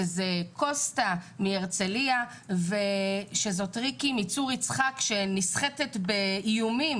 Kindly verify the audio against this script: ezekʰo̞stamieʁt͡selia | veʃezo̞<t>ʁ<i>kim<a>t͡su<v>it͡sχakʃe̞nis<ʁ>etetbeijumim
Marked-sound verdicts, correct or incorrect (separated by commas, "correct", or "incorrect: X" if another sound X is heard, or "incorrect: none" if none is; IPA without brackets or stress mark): correct, correct, incorrect: i, incorrect: ʁ, incorrect: χ